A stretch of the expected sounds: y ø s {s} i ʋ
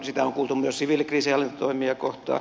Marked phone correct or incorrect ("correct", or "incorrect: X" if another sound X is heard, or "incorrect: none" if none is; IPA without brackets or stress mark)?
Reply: correct